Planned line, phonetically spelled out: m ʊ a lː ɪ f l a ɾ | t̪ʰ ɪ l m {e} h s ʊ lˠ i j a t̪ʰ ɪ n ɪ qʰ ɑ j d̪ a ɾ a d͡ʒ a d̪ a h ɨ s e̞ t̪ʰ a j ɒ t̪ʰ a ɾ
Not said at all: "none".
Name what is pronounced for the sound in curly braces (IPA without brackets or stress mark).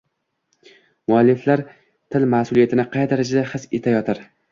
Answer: a